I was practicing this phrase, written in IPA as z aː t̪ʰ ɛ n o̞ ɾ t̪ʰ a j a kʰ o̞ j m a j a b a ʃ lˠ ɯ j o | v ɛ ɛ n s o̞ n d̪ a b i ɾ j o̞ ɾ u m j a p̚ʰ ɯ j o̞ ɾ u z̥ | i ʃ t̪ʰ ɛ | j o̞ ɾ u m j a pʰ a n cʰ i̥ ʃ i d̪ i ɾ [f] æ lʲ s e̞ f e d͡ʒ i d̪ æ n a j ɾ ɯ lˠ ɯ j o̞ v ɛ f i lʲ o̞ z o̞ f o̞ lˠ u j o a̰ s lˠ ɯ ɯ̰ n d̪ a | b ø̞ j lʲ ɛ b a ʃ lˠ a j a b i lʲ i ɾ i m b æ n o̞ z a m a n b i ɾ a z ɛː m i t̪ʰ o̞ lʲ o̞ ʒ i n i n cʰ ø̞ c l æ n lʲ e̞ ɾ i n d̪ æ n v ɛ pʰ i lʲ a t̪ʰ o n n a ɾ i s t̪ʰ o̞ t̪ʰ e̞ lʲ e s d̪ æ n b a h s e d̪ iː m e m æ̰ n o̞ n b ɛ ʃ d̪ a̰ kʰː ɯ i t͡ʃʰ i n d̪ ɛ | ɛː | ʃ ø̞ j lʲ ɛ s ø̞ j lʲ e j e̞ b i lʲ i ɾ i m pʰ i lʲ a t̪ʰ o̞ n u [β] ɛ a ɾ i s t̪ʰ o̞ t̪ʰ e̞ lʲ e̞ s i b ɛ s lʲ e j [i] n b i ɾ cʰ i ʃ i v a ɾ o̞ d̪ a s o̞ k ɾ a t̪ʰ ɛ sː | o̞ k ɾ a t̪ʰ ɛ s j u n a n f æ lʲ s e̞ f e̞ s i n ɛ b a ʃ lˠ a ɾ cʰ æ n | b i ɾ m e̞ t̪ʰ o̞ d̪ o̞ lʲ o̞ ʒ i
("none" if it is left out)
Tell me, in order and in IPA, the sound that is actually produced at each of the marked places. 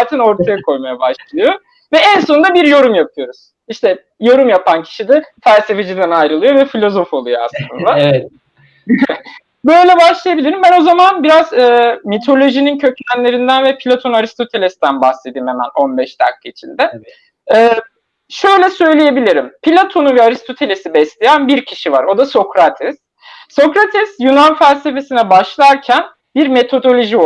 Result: f, v, æ

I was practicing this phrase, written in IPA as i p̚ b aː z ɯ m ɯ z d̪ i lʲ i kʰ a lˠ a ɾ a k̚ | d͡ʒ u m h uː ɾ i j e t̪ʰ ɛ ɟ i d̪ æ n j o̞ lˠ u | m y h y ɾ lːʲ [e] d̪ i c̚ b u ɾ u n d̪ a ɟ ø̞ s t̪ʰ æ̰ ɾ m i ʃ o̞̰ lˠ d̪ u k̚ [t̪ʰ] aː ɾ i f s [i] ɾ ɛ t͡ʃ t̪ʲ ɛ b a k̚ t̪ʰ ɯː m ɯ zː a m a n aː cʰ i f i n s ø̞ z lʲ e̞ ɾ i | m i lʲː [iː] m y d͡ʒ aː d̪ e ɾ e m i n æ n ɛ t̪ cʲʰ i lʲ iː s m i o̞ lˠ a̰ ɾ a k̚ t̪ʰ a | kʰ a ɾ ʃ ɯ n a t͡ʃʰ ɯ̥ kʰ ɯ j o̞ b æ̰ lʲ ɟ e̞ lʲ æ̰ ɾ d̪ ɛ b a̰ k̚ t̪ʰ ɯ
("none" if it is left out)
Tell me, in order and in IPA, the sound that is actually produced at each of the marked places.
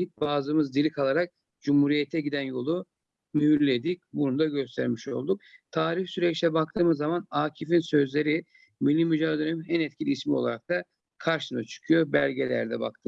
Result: e, t̪ʰ, y, i

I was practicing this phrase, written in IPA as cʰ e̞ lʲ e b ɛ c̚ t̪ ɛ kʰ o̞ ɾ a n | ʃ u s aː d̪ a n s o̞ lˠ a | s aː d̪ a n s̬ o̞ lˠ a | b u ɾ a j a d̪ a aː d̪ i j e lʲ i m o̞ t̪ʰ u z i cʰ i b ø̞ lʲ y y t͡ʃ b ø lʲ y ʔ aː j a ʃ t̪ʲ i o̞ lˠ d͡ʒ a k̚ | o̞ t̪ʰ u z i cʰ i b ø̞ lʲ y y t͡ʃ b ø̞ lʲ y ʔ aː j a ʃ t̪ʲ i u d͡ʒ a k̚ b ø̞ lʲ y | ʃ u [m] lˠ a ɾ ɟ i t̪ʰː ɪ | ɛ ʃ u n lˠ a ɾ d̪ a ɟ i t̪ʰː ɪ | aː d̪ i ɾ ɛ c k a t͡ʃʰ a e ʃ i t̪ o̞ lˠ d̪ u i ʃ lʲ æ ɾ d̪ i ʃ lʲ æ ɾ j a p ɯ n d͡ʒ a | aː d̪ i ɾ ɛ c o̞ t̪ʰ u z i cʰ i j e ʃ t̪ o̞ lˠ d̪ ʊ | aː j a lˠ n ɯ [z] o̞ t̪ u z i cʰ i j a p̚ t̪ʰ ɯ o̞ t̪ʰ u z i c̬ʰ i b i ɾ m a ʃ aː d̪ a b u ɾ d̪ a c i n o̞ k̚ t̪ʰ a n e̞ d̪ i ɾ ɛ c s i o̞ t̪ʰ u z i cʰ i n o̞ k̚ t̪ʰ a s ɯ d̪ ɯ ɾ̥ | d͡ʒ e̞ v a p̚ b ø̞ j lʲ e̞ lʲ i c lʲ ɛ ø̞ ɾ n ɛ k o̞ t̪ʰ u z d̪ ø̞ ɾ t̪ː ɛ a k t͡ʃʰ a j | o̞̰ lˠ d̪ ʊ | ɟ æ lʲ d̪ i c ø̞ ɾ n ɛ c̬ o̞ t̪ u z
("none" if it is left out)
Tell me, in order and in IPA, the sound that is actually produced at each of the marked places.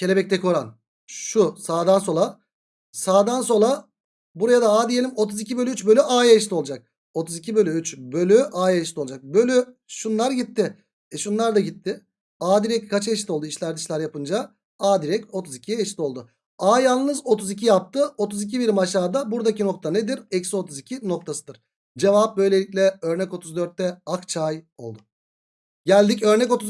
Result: n, z

